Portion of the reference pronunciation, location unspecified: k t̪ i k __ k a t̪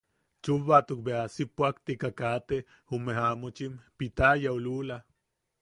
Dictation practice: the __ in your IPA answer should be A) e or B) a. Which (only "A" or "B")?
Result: B